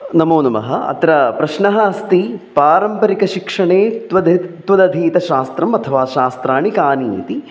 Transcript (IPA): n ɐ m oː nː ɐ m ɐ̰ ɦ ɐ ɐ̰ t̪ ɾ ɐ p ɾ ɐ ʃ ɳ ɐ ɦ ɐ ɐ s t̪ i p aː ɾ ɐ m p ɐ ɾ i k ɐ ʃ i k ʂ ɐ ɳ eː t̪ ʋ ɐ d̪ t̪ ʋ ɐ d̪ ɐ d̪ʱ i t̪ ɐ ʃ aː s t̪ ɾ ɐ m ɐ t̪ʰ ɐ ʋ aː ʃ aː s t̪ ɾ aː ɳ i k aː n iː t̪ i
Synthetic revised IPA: n ɐ m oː n ɐ m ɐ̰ ɦ ɐ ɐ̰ t̪ ɾ ɐ p ɾ ɐ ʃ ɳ ɐ ɦ ɐ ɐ s t̪ i p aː ɾ ɐ m p ɐ ɾ i k ɐ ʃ i k ʂ ɐ ɳ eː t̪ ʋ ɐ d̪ t̪ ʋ ɐ d̪ ɐ d̪ʱ iː t̪ ɐ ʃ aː s t̪ ɾ ɐ m ɐ t̪ʰ ɐ ʋ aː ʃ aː s t̪ ɾ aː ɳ i k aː n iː t̪ i